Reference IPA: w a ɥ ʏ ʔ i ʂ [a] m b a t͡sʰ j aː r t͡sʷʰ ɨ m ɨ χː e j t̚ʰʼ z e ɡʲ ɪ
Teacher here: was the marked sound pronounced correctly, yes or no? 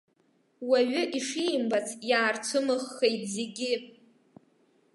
no